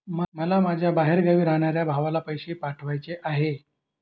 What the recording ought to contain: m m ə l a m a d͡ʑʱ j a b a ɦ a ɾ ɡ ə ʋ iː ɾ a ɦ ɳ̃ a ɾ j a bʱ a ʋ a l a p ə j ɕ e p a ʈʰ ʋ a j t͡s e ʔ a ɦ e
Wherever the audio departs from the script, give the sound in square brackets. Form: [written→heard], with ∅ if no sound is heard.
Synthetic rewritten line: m m ə l a m a d͡ʑʱ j a b a ɦ [a→e] ɾ ɡ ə ʋ iː ɾ a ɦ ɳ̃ a ɾ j a bʱ a ʋ a l a p ə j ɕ e p a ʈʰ ʋ a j t͡s e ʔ a ɦ e